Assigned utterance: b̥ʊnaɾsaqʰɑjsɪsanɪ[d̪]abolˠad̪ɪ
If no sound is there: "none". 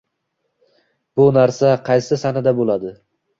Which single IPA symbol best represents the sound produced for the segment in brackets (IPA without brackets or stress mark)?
d̪